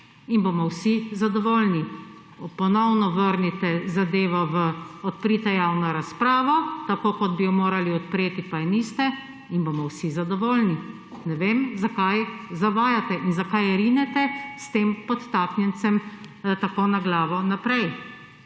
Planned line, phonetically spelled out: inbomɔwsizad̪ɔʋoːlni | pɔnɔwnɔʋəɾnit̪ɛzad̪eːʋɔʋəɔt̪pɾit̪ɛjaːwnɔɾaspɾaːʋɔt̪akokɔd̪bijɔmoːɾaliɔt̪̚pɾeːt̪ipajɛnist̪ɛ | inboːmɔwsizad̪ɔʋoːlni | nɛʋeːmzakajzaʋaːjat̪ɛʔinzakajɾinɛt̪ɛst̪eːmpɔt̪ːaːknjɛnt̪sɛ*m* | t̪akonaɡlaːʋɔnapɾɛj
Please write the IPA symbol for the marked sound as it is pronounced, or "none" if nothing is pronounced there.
m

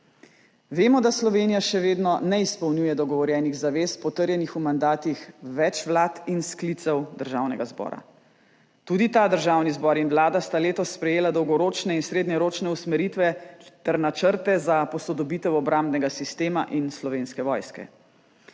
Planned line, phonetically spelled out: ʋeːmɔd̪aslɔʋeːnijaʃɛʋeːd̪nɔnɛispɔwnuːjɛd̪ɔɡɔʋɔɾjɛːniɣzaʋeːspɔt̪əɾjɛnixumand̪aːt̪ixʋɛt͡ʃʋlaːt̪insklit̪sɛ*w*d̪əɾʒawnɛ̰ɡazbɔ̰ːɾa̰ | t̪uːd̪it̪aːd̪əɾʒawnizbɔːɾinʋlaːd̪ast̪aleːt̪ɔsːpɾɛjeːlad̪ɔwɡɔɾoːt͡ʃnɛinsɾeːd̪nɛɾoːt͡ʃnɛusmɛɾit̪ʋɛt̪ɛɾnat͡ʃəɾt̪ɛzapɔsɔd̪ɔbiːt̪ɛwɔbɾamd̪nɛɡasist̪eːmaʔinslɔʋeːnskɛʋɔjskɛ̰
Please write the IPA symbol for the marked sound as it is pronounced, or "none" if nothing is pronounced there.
w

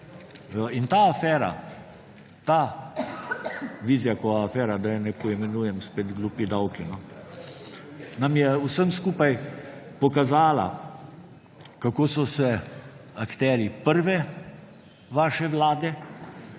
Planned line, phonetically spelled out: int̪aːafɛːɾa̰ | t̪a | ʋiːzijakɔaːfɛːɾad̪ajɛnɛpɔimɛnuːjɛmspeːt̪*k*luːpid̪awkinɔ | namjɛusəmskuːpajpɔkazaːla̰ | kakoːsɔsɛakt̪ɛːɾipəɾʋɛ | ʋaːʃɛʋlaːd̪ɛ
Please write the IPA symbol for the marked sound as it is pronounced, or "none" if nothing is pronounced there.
ɡ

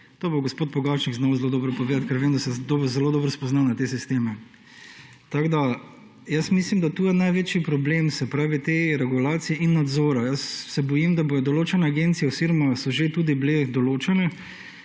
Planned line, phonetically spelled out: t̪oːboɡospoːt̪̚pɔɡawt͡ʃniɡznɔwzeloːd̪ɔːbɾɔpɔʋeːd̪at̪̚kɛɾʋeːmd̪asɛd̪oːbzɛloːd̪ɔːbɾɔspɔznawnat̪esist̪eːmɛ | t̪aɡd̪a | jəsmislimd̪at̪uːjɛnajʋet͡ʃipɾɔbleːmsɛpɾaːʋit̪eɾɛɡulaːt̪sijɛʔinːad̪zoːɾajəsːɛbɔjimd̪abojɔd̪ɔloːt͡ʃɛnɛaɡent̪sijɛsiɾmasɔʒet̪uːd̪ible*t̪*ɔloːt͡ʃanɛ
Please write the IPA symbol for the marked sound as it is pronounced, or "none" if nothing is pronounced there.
d̪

